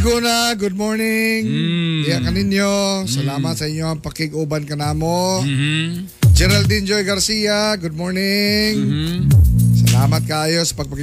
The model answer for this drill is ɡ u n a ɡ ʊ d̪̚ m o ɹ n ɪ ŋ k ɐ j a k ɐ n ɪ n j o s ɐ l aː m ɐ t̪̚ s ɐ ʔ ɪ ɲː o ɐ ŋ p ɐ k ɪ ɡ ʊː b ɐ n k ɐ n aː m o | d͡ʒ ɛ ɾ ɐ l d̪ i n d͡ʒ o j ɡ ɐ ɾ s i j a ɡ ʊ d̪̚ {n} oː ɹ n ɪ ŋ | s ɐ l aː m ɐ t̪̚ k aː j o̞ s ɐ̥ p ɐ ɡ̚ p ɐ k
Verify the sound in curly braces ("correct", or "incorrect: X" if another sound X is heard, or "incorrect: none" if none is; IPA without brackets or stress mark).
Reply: incorrect: m